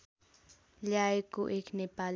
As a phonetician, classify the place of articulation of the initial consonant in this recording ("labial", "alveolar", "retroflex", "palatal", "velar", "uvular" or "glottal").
palatal